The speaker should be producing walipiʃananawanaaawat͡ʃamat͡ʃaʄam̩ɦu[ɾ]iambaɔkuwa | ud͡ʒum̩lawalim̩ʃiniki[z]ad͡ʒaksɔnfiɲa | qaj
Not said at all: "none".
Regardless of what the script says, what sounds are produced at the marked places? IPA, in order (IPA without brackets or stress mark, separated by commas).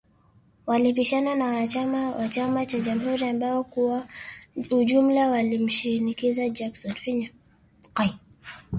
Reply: ɾ, z